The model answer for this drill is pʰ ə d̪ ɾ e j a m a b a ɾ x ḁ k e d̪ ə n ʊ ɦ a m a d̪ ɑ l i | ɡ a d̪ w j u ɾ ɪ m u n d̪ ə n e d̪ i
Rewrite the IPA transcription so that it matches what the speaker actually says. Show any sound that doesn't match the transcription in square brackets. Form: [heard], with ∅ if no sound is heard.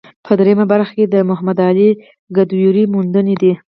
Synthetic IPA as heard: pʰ ə d̪ ɾ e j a m a b a ɾ x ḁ k e d̪ ə [m] ʊ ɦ a m a d̪ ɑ l i | ɡ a d̪ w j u ɾ [i] m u n d̪ ə n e d̪ i